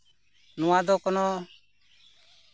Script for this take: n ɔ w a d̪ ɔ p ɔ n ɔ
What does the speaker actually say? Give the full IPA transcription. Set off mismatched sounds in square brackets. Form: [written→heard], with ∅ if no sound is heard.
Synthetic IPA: n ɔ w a d̪ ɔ [p→k] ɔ n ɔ